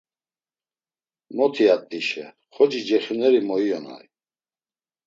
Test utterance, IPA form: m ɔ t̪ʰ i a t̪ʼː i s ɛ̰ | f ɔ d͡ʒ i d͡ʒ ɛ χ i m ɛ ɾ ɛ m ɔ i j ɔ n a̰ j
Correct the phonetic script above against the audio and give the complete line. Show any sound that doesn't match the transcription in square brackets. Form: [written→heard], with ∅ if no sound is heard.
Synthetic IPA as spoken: m ɔ t̪ʰ i a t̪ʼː i [s→ʃ] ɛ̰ | [f→χ] ɔ d͡ʒ i d͡ʒ ɛ χ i [m→n] ɛ ɾ [ɛ→i] m ɔ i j ɔ n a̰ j